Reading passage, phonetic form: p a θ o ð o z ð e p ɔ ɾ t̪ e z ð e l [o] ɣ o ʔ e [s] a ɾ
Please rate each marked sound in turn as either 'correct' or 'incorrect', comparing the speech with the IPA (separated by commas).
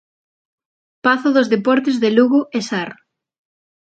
incorrect, correct